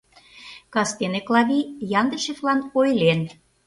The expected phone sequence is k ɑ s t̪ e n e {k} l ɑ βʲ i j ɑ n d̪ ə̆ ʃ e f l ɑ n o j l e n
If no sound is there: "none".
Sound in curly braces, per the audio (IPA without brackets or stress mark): k